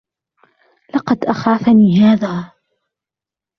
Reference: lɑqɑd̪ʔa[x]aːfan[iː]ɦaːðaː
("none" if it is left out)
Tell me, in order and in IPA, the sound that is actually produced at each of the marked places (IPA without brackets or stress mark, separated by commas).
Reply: x, iː